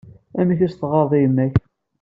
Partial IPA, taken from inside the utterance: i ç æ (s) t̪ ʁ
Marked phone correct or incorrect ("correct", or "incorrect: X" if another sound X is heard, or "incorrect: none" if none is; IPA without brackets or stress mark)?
correct